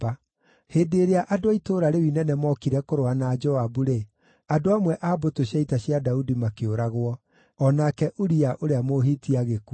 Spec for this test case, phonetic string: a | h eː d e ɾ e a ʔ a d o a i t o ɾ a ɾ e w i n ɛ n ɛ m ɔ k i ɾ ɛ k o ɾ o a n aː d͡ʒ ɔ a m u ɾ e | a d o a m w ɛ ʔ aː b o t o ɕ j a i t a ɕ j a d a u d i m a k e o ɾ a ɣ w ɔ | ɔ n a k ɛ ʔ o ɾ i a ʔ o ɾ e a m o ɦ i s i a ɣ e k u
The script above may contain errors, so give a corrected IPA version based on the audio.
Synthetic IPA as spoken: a | h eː d e ɾ e a ʔ a d o a i t o ɾ a ɾ e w i n ɛ n ɛ m ɔ k i ɾ ɛ k o ɾ o a n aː d͡ʒ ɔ a b u ɾ e | a d o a m w ɛ ʔ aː b o t o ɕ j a i t a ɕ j a d a u d i m a k e o ɾ a ɣ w ɔ | ɔ n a k ɛ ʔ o ɾ i a ʔ o ɾ e a m o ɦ i t i a ɣ e k u